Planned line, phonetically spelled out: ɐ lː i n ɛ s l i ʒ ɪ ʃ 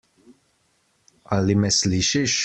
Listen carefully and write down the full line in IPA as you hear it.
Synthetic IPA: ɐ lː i m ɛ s l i ʃ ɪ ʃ